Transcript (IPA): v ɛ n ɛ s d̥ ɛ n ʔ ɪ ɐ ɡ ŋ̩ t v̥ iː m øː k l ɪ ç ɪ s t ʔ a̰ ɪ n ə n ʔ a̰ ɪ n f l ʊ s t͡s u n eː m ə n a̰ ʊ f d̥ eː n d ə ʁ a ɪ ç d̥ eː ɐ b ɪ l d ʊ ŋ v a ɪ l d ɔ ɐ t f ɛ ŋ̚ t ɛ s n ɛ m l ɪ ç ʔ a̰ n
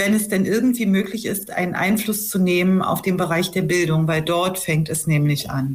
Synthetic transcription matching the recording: v ɛ n ɛ s d̥ ɛ n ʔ ɪ ɐ ɡ ŋ̩ t v̥ iː m øː k l ɪ ç ɪ s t ʔ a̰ ɪ n ə n ʔ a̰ ɪ n f l ʊ s t͡s u n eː m ə n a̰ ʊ f d̥ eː n b ə ʁ a ɪ ç d̥ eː ɐ b ɪ l d ʊ ŋ v a ɪ l d ɔ ɐ t f ɛ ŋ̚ t ɛ s n ɛː m l ɪ ç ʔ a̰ n